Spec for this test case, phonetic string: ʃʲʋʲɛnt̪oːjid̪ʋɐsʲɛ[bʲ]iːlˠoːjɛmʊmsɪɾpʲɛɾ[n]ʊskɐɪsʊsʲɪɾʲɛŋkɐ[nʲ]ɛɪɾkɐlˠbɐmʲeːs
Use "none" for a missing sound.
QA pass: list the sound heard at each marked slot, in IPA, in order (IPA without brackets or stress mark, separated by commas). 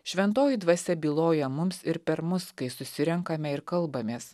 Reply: bʲ, m, mʲ